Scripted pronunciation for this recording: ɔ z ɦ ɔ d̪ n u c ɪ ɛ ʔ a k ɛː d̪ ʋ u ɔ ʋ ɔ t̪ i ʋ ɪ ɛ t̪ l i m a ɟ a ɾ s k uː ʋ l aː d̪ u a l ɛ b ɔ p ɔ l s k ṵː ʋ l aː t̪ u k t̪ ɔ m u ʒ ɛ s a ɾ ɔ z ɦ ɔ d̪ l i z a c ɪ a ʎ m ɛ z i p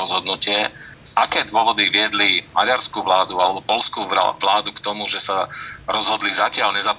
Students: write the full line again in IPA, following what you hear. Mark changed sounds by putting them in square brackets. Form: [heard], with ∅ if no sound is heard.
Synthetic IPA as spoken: ɔ z ɦ ɔ d̪ n u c ɪ ɛ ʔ a k ɛː d̪ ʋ [ʊ] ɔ ʋ ɔ [d̪] i ʋ ɪ ɛ [d̪] l i m a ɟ a ɾ s k uː ʋ l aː d̪ u a l ɛ b ɔ p ɔ l s k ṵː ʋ l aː [d̪] u k t̪ ɔ m u ʒ ɛ s a ɾ ɔ z ɦ ɔ d̪ l i z a c ɪ a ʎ [ɲ] ɛ z [a] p